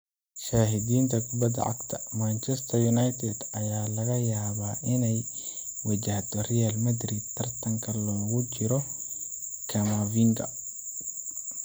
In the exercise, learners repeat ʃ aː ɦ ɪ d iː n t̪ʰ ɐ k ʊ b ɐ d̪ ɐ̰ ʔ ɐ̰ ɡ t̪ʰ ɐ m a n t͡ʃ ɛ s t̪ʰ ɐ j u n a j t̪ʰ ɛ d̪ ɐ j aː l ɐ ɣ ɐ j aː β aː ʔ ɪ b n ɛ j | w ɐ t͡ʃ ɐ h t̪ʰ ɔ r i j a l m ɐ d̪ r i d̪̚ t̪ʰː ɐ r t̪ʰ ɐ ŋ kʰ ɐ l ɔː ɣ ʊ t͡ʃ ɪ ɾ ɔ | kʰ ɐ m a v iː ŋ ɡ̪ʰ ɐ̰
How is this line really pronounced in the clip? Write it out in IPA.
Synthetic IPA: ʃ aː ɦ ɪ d iː n t̪ʰ ɐ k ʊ b ɐ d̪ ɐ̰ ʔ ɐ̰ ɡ t̪ʰ ɐ m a n t͡ʃ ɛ s t̪ʰ ɐ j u n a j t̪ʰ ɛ d̪ ɐ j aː l ɐ ɣ ɐ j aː β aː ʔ ɪ n ɛ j | w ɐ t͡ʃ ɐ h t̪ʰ ɔ r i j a l m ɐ d̪ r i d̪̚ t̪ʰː ɐ r t̪ʰ ɐ ŋ kʰ ɐ l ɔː ɣ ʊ t͡ʃ ɪ ɾ ɔ | kʰ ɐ m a v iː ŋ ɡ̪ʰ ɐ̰